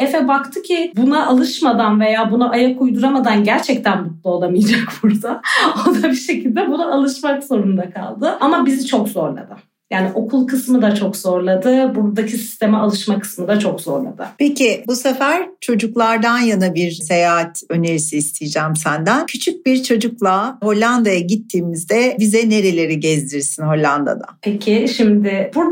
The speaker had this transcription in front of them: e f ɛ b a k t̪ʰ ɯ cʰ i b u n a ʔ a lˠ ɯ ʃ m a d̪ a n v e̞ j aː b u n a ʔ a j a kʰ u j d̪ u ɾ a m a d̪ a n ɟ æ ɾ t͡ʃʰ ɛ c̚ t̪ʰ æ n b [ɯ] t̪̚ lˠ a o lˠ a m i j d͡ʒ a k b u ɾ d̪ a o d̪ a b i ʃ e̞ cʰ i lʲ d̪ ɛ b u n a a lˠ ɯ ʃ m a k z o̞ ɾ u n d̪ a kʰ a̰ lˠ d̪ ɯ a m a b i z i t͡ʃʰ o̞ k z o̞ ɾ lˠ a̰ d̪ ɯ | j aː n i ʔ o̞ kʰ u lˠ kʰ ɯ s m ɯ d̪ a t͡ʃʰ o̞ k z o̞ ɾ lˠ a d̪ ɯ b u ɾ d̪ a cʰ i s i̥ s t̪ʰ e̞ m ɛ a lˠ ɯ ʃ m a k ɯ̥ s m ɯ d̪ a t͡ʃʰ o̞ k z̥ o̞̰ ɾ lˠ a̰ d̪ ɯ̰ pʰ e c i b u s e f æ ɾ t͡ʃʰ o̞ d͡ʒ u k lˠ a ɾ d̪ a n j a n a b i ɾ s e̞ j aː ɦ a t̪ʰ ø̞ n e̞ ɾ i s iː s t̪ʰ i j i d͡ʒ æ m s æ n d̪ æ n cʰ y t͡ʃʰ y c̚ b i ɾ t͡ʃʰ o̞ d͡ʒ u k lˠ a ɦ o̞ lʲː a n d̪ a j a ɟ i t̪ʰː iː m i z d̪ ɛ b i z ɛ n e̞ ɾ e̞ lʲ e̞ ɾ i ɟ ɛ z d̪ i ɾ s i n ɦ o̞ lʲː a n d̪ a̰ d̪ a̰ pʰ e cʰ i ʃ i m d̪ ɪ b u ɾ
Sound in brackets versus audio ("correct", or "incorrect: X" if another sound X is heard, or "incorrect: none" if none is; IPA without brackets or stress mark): incorrect: u